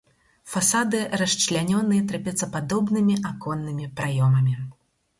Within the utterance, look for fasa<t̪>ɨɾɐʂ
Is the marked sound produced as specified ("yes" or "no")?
no